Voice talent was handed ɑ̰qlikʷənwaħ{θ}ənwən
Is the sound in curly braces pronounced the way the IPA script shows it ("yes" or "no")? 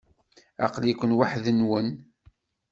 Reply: no